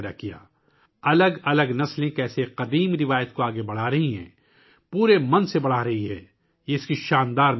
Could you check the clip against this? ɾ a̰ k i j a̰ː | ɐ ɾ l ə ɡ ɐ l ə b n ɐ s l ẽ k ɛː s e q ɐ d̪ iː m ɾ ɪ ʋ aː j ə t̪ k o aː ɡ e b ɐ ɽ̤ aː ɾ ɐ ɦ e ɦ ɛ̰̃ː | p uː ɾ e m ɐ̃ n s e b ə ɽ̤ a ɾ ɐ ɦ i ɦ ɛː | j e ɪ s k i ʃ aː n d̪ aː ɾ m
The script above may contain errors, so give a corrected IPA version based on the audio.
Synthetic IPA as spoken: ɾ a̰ k i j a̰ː | ɐ l ə ɡ ɐ l ə ɡ n ɐ s l ẽ k ɛː s e q ɐ d̪ iː m ɾ ɪ ʋ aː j ə t̪ k o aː ɡ e b ɐ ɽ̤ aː ɾ ɐ ɦ i ɦ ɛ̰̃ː | p uː ɾ e m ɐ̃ n s e b ɐ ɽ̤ a ɾ ɐ ɦ i ɦ ɛː | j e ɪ s k i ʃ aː n d̪ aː ɾ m